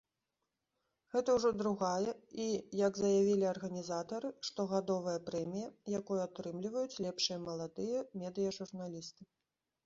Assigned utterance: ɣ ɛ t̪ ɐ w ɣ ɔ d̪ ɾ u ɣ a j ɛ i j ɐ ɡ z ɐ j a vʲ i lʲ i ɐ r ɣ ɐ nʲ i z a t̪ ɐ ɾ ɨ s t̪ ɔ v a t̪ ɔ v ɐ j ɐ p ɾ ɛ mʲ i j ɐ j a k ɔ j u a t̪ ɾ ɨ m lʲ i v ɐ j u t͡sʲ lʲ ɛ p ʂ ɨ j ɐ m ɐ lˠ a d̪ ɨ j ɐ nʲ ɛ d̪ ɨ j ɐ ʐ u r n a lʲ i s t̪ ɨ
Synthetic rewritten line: ɣ ɛ t̪ ɐ w ʐ ɔ d̪ ɾ u ɣ a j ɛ i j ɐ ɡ z ɐ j a vʲ i lʲ i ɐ r ɣ ɐ nʲ i z a t̪ ɐ ɾ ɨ ʂ t̪ ɔ ɣ a d̪ ɔ v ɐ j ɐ p ɾ ɛ mʲ i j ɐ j a k ɔ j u a t̪ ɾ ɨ m lʲ i v ɐ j u t͡sʲ lʲ ɛ p ʂ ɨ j ɐ m ɐ lˠ a d̪ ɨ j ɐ mʲ ɛ d̪ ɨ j ɐ ʐ u r n a lʲ i s t̪ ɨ